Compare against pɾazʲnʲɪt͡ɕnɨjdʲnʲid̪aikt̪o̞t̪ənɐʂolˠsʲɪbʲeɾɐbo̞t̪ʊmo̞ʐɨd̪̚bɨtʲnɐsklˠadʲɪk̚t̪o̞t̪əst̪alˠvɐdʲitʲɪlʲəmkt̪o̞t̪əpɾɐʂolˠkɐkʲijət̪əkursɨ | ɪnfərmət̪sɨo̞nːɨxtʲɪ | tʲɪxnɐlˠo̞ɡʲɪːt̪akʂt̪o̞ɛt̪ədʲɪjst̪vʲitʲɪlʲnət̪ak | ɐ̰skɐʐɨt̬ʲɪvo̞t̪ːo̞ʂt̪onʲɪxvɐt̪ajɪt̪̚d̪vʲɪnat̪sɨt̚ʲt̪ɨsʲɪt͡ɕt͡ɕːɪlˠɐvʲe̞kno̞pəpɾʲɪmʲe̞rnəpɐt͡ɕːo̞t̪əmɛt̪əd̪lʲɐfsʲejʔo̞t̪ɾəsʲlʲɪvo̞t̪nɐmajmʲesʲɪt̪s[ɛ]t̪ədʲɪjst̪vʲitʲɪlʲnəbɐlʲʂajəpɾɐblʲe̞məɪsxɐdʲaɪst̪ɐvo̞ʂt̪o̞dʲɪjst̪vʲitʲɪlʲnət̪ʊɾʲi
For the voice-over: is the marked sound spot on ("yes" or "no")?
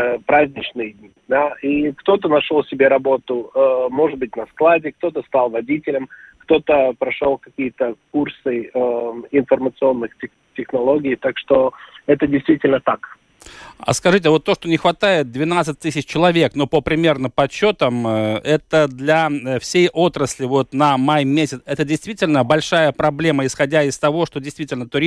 yes